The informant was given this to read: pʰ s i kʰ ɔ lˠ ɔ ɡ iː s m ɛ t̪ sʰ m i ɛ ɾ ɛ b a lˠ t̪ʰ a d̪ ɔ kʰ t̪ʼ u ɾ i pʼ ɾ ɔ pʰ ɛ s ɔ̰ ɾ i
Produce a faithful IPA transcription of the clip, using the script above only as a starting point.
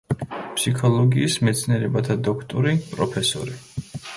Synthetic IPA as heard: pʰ s i kʰ ɔ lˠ ɔ ɡ iː s m ɛ t̪ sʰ n i ɛ ɾ ɛ b a t̪ʰ a d̪ ɔ kʰ t̪ʼ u ɾ i pʼ ɾ ɔ pʰ ɛ s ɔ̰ ɾ i